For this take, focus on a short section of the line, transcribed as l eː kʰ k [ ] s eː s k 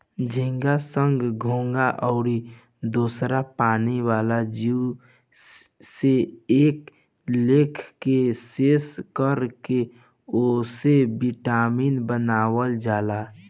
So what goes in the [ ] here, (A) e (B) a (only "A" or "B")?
A